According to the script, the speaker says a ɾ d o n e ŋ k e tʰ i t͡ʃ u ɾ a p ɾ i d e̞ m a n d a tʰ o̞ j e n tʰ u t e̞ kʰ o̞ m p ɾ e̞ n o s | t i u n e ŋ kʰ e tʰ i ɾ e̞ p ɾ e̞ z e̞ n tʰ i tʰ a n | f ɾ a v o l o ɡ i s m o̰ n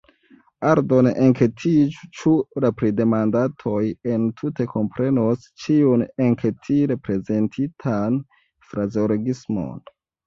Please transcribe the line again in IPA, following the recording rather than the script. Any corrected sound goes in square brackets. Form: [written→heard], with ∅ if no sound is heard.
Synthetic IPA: a ɾ d o n e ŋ k e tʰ i t͡ʃ u ɾ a p ɾ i d e̞ m a n d a tʰ o̞ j e n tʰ u t e̞ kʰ o̞ m p ɾ e̞ n o s | [t→t͡ʃ] i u n e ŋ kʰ e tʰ i ɾ e̞ p ɾ e̞ z e̞ n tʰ i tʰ a n | f ɾ a [v→z] o l o ɡ i s m o̰ n